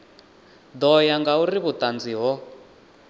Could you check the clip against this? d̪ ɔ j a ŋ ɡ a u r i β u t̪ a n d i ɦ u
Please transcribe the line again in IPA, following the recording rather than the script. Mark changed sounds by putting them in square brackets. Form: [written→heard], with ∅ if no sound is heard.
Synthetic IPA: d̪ ɔ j a ŋ ɡ a u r i β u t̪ a n [d→d͡z] i ɦ [u→ɔ]